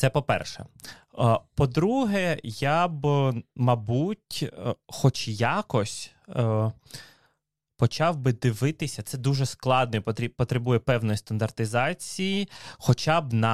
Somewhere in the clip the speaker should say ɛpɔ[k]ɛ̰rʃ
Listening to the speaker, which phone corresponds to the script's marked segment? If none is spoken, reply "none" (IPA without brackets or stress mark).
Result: p